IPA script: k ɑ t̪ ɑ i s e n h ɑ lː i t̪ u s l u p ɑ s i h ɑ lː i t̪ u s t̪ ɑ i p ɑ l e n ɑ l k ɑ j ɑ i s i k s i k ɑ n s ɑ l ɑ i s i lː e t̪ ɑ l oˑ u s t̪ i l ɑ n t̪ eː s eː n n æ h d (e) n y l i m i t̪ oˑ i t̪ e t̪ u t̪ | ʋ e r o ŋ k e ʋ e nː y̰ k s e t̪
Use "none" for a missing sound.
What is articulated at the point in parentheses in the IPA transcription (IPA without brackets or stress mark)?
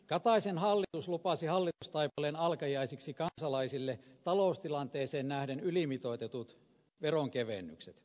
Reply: e